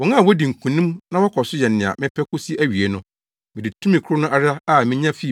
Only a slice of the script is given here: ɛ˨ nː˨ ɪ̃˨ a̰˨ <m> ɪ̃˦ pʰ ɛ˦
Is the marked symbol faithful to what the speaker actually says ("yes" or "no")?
yes